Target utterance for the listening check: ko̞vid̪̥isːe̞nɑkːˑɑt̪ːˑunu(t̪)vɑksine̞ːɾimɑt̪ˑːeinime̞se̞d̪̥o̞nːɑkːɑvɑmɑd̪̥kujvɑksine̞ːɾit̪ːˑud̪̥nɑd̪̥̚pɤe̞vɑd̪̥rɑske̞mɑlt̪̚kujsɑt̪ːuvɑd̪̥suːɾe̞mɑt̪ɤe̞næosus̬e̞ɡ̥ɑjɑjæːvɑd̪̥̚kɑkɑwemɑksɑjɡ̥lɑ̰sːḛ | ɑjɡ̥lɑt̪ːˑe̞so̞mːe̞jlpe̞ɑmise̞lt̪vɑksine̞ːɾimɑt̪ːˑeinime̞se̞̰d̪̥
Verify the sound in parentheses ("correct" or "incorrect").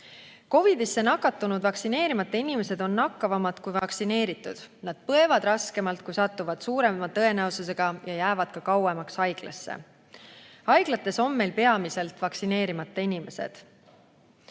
incorrect